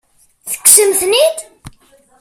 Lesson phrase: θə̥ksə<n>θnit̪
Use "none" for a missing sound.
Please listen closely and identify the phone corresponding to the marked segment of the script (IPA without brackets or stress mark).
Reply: m